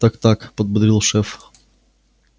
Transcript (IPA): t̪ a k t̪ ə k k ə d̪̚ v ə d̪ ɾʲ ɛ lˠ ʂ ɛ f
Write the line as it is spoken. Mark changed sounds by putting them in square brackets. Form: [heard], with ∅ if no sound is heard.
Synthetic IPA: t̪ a k t̪ [a] k [p] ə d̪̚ [b] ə d̪ ɾʲ [i] lˠ ʂ ɛ f